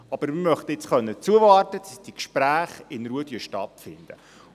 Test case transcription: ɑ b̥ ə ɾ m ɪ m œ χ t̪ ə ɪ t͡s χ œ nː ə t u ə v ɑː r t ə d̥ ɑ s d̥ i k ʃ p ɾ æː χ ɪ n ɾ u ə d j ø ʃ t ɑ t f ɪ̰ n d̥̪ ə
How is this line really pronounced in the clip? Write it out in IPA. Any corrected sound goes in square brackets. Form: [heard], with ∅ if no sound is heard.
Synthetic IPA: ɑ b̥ ə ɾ m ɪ m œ χ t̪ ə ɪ t͡s χ œ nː ə [t͡s] u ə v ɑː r t ə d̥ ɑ s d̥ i k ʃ p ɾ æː χ ɪ n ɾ u ə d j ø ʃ t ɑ t f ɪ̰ n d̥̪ ə